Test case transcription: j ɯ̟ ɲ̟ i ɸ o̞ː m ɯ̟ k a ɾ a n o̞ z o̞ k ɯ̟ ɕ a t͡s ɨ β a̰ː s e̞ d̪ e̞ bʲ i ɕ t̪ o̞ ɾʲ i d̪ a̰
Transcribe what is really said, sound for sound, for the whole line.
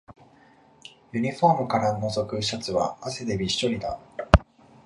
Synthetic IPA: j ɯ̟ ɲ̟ i ɸ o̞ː m ɯ̟ k a ɾ a n o̞ z o̞ k ɯ̟ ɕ a t͡s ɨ β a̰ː s e̞ d̪ e̞ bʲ i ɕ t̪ o̞ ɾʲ i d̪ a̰